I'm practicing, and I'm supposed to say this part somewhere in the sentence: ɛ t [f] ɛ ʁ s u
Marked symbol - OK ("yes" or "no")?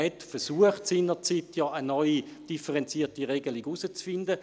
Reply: yes